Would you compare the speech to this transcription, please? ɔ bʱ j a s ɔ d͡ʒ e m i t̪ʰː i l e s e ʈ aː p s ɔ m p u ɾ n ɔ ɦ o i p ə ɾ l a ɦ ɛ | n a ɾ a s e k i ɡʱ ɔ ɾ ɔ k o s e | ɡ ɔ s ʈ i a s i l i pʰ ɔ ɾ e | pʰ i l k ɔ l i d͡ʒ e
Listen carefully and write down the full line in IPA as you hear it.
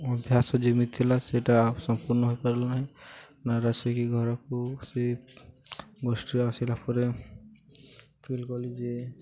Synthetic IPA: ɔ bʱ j a s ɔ d͡ʒ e m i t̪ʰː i l a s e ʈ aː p s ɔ m p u ɾ n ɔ ɦ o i p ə ɾ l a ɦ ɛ | n a ɾ a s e k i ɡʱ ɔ ɾ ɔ k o s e | ɡ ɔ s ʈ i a s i l a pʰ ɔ ɾ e | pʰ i l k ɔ l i d͡ʒ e